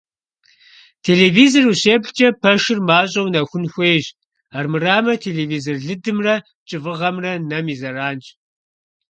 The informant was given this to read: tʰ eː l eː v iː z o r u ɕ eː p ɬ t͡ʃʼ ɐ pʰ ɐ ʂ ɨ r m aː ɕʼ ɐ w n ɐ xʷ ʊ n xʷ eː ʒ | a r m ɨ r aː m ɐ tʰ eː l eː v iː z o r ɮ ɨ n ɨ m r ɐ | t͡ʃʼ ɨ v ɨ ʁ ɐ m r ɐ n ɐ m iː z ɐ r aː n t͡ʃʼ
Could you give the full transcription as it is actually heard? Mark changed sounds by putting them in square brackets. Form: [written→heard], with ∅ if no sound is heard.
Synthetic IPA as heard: tʰ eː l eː v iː z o r u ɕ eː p ɬ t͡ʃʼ ɐ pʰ ɐ ʂ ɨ r m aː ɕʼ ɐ w n ɐ xʷ ʊ n xʷ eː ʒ | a r m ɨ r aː m ɐ tʰ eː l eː v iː z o r ɮ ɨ [n→d] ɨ m r ɐ | t͡ʃʼ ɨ v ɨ ʁ ɐ m r ɐ n ɐ m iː z ɐ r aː n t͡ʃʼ